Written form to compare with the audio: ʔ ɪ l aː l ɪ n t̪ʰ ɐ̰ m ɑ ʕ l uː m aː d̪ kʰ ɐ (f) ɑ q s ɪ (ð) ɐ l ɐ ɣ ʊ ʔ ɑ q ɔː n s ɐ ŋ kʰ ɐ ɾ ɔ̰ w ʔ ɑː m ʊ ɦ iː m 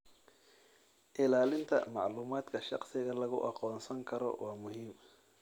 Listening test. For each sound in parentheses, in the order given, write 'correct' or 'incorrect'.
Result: incorrect, incorrect

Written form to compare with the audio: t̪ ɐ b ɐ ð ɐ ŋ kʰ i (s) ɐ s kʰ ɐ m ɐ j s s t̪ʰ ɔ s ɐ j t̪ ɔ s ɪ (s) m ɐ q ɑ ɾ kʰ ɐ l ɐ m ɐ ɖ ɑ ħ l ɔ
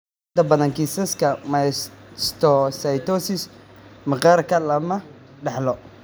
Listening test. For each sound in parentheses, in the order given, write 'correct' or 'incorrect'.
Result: correct, correct

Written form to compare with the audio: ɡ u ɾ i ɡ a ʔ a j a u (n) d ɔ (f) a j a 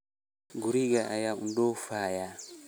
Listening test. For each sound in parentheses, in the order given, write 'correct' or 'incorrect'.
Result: correct, correct

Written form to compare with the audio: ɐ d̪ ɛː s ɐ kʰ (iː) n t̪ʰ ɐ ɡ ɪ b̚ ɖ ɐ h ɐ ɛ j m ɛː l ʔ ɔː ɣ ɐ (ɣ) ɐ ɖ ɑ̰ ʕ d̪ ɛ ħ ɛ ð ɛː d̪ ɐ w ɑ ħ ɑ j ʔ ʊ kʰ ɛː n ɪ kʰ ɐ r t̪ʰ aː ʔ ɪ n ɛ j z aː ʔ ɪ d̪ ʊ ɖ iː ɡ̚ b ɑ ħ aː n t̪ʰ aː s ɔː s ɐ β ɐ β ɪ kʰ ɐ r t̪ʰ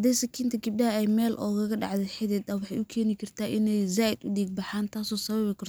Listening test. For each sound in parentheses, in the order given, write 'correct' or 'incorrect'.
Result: correct, correct

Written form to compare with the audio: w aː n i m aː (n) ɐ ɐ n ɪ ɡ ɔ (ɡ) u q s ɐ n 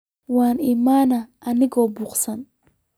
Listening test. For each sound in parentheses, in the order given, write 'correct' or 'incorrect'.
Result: correct, incorrect

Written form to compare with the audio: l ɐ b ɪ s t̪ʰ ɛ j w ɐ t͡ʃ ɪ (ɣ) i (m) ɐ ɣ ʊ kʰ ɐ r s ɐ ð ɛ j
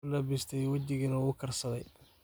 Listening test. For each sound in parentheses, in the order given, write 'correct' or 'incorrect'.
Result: correct, incorrect

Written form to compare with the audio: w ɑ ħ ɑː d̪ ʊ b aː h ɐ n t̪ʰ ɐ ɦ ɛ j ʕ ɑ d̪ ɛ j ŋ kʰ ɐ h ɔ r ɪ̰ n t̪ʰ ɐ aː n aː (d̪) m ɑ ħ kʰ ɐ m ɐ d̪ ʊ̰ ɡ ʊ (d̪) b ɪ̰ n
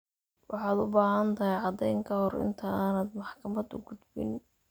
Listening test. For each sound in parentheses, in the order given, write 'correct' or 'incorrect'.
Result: correct, correct

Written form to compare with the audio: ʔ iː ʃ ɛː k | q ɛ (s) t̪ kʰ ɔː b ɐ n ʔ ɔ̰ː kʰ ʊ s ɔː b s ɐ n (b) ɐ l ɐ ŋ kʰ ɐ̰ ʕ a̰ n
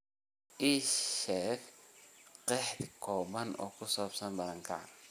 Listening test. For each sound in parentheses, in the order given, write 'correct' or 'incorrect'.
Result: incorrect, correct

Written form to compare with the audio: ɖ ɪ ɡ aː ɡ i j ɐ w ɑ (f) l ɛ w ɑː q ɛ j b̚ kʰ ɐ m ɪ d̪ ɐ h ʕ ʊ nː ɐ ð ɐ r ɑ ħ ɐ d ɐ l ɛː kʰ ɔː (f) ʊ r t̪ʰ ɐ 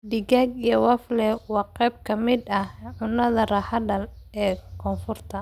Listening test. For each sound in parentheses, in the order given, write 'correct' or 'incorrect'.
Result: correct, correct

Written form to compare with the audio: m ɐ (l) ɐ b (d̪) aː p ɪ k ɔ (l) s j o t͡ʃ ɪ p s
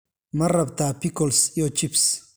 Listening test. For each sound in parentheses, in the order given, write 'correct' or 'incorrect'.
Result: incorrect, incorrect, correct

